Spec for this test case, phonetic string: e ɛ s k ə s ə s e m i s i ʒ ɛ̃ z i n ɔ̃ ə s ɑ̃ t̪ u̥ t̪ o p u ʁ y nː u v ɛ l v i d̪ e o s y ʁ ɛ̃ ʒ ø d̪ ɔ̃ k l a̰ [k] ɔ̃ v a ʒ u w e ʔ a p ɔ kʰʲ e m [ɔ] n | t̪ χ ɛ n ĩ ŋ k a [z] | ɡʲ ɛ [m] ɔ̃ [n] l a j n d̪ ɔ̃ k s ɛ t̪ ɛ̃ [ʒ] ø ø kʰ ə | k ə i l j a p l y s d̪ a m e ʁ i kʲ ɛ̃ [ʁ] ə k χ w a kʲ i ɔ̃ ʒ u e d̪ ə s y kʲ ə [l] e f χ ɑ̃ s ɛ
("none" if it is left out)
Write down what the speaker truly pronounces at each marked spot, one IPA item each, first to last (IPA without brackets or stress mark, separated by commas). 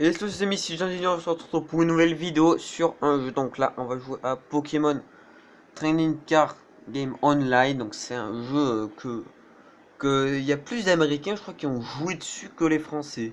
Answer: ʔ, ɔ, ʁ, m, n, ʒ, ʒ, l